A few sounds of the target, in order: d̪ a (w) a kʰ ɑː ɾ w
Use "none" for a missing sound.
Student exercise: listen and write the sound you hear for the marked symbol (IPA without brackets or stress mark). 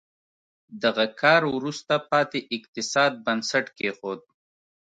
ɣ